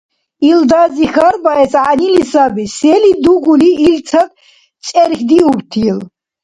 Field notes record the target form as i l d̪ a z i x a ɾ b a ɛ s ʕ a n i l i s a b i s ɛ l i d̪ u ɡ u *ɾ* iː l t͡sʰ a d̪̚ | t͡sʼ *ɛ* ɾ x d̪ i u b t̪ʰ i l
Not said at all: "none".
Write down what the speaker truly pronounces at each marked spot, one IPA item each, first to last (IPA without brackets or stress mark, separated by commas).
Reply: l, ɛ